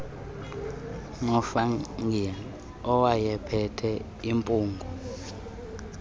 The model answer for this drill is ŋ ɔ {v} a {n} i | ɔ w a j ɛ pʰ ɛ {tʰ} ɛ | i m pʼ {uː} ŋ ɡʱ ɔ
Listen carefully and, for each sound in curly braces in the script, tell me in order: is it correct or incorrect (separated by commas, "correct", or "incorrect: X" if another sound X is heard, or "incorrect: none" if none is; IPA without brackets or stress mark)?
incorrect: f, incorrect: ŋ, correct, correct